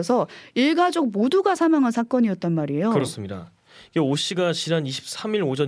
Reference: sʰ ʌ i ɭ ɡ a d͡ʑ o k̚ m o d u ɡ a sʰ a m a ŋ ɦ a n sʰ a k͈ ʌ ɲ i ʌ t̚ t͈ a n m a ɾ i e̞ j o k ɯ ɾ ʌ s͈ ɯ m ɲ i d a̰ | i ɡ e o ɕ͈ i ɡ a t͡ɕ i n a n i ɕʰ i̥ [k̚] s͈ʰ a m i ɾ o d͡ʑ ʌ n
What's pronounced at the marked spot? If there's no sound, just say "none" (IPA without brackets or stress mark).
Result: p̚